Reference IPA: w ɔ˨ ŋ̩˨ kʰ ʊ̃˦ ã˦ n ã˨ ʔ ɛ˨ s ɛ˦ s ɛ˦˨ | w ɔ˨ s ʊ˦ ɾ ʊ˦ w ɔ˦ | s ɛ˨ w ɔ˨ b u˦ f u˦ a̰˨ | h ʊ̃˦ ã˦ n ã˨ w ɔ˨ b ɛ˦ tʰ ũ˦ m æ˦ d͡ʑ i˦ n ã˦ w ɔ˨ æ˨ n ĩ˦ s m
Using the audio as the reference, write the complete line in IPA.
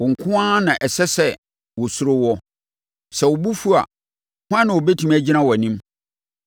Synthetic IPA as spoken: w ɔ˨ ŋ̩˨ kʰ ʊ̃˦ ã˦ n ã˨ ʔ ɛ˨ s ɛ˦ s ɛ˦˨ | w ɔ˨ s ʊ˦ ɾ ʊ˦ w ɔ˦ | s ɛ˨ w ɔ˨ b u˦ f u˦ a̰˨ | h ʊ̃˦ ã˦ n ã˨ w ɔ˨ b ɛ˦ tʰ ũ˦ m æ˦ d͡ʑ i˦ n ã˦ w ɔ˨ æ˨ n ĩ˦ m